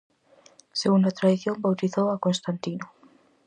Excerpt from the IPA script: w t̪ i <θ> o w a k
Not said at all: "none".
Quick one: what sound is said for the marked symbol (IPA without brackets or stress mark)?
θ